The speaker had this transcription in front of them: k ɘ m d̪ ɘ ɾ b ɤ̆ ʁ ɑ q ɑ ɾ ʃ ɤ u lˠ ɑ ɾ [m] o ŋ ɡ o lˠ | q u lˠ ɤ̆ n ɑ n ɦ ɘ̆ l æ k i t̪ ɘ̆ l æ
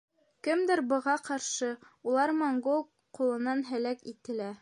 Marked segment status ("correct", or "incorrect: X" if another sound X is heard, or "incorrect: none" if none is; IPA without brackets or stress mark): correct